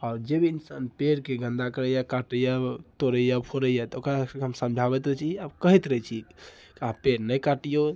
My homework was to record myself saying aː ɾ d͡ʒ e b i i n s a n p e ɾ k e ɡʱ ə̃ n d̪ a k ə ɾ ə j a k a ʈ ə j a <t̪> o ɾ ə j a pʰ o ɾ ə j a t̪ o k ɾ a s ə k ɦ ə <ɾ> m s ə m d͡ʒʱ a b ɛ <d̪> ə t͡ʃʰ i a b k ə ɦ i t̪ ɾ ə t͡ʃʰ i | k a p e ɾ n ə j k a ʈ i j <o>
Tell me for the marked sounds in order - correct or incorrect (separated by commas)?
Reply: correct, incorrect, incorrect, correct